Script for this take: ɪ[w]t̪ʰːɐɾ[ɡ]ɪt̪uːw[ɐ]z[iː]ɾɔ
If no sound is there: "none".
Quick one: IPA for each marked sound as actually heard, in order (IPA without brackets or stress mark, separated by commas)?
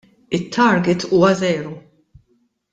none, ɡ, ɐ, ɛː